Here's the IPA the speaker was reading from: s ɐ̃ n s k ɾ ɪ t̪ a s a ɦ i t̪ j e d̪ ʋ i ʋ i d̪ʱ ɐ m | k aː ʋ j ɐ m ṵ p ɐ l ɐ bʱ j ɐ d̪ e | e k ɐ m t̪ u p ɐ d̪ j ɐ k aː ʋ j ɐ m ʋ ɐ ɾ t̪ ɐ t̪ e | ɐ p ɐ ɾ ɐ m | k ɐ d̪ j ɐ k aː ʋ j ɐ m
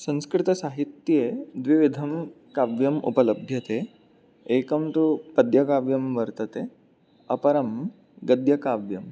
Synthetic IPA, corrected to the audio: s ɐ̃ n s k ɾ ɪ t̪ ɐ s a ɦ i t̪ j e d̪ ʋ i ʋ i d̪ʱ ɐ m | k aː ʋ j ɐ m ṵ p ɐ l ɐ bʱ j ɐ t̪ e | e k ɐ m t̪ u p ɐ d̪ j ɐ k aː ʋ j ɐ m ʋ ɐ ɾ t̪ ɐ t̪ e | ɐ p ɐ ɾ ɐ m | ɡ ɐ d̪ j ɐ k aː ʋ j ɐ m